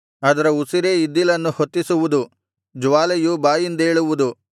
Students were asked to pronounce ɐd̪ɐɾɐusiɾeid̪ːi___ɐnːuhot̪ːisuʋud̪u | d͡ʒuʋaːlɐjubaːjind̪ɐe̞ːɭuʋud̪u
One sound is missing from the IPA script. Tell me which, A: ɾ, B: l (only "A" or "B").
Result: B